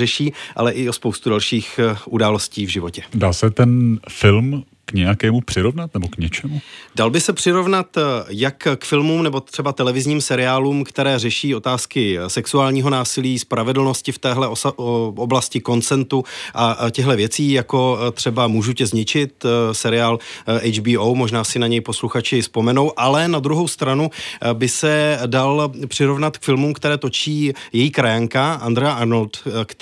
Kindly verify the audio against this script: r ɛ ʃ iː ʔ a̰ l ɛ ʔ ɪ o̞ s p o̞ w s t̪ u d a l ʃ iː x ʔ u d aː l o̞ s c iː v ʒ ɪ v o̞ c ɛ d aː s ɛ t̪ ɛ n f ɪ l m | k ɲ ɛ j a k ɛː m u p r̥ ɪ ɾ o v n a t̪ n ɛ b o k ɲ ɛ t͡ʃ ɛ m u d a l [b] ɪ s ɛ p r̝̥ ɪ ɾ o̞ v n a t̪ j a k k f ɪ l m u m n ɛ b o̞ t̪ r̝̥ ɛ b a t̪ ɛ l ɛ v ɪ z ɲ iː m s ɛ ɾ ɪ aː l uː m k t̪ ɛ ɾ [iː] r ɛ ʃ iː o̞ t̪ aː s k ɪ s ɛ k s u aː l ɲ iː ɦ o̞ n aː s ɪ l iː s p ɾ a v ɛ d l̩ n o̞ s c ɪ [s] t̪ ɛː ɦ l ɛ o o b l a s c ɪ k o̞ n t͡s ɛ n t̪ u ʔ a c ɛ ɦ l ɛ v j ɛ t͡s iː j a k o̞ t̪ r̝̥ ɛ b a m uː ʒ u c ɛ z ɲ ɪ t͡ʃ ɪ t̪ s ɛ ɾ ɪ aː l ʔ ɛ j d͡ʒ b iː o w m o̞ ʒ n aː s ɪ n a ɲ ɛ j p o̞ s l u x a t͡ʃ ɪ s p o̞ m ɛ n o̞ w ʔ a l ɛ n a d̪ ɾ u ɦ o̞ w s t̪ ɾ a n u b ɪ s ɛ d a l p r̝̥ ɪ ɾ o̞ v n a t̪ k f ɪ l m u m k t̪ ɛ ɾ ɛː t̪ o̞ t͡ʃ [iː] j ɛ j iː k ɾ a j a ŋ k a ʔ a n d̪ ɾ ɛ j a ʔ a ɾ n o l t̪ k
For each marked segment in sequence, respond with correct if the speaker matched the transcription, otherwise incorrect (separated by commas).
correct, incorrect, incorrect, correct